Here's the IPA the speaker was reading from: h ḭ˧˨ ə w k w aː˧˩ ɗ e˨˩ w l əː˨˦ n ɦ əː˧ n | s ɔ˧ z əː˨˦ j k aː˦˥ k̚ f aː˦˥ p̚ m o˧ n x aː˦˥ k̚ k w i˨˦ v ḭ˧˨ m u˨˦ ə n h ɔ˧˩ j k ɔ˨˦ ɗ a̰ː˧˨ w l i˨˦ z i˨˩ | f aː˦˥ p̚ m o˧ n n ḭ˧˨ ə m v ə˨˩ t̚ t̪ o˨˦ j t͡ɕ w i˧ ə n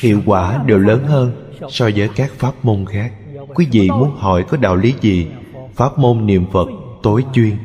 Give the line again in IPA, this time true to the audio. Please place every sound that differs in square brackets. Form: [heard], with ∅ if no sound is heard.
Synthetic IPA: h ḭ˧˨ ə w k w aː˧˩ ɗ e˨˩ w l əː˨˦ n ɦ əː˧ n | s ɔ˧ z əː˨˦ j k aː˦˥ k̚ f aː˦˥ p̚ m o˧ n x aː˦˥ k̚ k w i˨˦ v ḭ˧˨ m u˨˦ ə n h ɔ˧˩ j k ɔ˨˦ ɗ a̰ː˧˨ w l i˨˦ z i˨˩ | f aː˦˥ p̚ m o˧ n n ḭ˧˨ ə m [f] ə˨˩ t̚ t̪ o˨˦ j t͡ɕ w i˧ ə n